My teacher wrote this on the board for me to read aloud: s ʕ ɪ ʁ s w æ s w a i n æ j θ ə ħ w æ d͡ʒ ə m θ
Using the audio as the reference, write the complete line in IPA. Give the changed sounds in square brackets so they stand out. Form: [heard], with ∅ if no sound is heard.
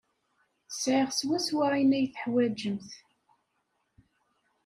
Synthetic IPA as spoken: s ʕ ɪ ʁ s w æ s w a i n æ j θ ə ħ w æ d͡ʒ ə m θ